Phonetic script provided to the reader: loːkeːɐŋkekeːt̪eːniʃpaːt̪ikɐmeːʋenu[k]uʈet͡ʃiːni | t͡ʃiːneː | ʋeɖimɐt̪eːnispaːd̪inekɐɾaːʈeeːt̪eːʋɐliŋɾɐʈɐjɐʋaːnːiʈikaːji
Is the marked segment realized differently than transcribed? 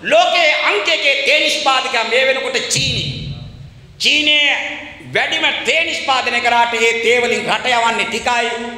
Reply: no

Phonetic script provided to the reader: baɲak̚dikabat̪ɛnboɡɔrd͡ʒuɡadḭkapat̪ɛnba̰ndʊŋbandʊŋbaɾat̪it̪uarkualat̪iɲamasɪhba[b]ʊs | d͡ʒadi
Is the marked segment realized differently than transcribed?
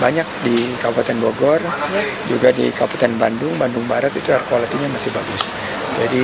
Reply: yes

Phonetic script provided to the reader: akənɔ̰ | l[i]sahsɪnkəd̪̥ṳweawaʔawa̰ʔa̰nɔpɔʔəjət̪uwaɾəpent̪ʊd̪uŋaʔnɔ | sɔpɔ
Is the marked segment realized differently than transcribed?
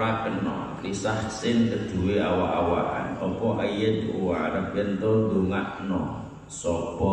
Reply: no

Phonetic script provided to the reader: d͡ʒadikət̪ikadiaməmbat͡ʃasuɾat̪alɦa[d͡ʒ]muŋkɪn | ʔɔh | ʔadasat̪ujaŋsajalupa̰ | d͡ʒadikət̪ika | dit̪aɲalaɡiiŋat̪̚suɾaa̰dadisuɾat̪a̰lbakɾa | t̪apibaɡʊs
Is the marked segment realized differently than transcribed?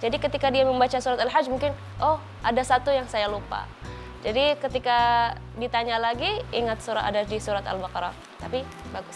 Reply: no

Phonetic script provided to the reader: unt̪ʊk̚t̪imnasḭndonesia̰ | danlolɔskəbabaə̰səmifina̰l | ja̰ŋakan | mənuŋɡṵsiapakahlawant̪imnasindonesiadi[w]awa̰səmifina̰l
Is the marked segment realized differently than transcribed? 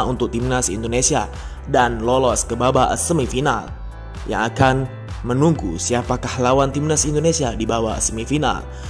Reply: yes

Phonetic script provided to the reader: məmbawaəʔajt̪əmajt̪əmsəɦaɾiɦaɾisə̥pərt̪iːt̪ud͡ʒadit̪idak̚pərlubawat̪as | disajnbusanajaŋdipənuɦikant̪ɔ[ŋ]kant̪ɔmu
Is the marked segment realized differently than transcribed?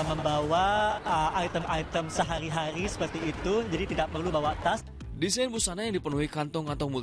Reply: no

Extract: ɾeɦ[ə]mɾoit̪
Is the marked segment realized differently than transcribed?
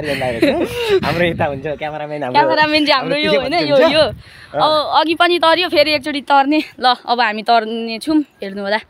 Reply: yes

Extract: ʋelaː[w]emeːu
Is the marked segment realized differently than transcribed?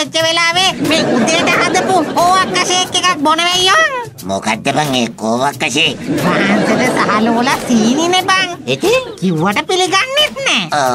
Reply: yes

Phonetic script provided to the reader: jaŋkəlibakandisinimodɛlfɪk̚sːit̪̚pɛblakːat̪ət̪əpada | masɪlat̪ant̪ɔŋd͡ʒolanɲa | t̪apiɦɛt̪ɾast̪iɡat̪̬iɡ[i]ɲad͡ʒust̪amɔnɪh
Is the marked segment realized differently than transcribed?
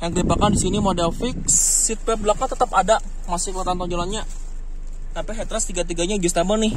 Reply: yes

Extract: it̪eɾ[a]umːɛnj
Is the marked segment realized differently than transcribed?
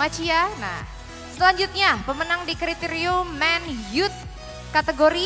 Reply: yes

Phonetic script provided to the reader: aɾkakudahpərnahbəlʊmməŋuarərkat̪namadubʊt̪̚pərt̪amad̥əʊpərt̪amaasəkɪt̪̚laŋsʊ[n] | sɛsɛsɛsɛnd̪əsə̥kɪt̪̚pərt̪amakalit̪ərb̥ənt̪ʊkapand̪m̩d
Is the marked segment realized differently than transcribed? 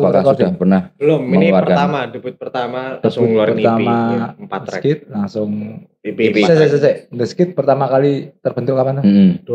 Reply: yes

